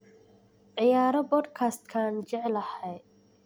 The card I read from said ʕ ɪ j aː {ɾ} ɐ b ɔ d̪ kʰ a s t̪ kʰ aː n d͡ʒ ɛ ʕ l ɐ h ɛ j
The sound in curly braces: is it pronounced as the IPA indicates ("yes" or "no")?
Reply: yes